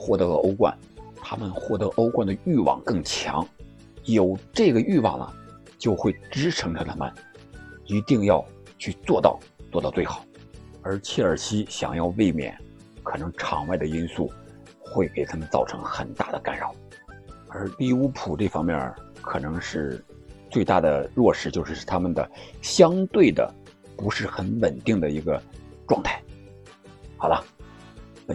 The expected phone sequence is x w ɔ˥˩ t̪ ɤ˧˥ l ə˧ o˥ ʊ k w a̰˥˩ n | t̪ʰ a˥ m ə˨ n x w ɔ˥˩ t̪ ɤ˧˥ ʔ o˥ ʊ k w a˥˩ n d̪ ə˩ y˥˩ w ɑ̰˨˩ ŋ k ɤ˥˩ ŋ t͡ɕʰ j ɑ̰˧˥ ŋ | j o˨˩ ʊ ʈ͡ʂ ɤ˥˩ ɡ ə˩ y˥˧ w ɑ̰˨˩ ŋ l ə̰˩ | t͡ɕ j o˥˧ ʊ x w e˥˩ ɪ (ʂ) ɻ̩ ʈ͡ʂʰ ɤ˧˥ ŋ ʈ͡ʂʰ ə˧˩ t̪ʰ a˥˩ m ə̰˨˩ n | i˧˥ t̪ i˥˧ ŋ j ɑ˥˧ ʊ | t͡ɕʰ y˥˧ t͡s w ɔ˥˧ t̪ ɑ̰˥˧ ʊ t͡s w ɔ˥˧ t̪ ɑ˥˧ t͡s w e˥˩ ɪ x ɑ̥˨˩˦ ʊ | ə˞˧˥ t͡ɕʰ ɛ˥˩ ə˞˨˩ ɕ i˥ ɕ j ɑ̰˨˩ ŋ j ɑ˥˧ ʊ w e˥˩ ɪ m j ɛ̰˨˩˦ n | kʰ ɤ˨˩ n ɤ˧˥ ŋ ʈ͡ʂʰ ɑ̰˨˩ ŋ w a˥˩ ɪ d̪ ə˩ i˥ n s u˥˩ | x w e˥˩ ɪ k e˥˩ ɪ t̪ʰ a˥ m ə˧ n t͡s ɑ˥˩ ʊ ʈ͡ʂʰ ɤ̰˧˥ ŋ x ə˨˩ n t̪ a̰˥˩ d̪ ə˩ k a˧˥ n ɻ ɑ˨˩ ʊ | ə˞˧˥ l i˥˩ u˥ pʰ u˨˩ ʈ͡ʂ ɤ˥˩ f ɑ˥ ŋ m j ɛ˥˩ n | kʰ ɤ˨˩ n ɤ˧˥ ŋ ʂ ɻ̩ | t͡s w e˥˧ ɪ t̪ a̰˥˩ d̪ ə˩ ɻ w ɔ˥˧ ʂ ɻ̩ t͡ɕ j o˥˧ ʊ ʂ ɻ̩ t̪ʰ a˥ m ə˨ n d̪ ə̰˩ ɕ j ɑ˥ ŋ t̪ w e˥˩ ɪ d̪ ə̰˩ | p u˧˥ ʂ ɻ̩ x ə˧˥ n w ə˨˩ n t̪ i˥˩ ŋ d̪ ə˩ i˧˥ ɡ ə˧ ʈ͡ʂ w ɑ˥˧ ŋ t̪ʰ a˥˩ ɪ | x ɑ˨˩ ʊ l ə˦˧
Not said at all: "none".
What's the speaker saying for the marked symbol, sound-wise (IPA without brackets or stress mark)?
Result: ʈ͡ʂ